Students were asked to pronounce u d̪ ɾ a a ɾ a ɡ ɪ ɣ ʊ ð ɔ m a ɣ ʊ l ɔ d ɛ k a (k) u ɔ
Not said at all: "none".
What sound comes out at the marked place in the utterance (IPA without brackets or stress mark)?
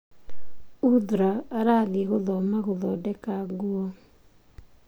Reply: ɡ